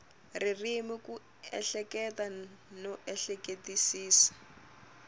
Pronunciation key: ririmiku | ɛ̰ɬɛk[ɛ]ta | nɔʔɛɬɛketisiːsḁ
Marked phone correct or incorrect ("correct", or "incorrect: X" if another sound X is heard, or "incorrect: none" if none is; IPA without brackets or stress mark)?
correct